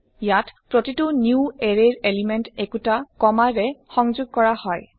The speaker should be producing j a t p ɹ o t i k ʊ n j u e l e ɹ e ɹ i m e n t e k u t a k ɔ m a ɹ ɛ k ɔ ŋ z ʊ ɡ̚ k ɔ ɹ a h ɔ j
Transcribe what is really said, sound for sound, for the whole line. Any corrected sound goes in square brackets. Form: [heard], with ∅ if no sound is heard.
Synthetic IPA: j a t p ɹ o t i [t] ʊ n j u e [ɹ] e ɹ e [l] i m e n t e k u t a k ɔ m a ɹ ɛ [x] ɔ ŋ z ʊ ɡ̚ k ɔ ɹ a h ɔ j